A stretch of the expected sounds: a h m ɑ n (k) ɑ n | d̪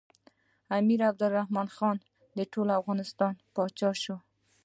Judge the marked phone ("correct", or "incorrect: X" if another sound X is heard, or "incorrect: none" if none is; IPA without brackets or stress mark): incorrect: x